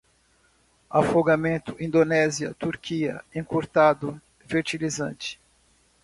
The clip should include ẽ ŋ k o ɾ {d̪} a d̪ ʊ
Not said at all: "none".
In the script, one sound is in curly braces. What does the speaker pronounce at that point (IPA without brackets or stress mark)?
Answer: t̪